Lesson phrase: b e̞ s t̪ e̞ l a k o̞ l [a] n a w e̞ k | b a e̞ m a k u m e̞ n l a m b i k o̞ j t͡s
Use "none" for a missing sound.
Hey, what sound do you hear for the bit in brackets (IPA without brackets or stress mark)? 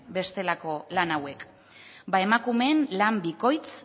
a